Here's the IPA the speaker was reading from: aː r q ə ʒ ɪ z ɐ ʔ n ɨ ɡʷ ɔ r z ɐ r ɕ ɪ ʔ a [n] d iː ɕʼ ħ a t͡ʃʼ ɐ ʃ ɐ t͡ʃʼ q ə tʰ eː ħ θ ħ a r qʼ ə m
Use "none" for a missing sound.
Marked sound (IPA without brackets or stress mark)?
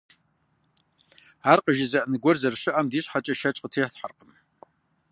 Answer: m